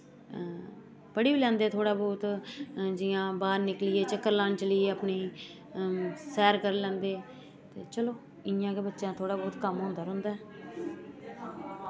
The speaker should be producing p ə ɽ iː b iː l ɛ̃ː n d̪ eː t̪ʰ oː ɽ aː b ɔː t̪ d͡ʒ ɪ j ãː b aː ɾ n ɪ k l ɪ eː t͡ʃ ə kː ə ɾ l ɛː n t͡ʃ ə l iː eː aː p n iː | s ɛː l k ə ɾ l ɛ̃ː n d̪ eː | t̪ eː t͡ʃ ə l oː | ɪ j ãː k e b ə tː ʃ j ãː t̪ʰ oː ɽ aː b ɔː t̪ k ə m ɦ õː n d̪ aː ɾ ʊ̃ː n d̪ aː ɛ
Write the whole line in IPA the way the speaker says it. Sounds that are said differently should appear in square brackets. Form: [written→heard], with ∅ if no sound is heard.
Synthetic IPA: p ə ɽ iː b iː l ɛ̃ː n d̪ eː t̪ʰ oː ɽ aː b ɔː t̪ d͡ʒ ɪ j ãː b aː ɾ n ɪ k l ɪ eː t͡ʃ ə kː ə ɾ l [ɛː→aː] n t͡ʃ ə l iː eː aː p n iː | s ɛː [l→ɾ] k ə ɾ l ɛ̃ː n d̪ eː | t̪ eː t͡ʃ ə l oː | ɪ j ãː k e b ə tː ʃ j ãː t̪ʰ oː ɽ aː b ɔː t̪ k ə m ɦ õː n d̪ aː ɾ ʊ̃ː n d̪ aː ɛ